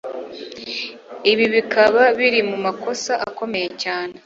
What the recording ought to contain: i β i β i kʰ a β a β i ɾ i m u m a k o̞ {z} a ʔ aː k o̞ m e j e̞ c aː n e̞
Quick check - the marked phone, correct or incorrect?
incorrect